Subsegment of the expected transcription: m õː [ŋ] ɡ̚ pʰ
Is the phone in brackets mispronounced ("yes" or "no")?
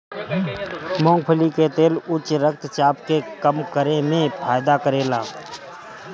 no